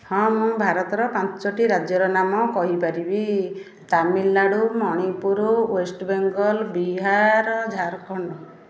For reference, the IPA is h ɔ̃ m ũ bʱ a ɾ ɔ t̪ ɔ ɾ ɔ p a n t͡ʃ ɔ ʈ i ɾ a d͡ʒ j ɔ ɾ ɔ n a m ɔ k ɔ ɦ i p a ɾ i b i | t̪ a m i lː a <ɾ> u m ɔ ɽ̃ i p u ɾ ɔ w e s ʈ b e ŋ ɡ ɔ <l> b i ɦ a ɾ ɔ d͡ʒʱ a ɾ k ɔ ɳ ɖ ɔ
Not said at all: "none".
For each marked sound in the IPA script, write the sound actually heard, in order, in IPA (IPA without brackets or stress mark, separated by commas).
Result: ɽ, l